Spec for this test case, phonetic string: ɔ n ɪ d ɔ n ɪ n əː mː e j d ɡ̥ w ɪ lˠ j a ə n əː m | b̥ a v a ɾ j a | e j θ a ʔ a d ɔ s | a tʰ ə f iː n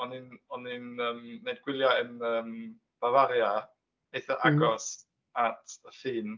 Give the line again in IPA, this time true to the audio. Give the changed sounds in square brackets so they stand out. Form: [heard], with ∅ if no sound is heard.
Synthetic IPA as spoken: ɔ n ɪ [n] ɔ n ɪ n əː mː e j d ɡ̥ w ɪ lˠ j a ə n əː m | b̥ a v a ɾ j a | e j θ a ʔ a [ɡ] ɔ s | a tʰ ə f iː n